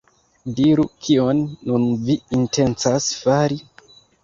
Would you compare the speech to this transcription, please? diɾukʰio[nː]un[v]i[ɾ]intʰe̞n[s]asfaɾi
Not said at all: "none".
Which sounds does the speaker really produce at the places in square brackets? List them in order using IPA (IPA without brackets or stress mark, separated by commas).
nː, v, none, t͡s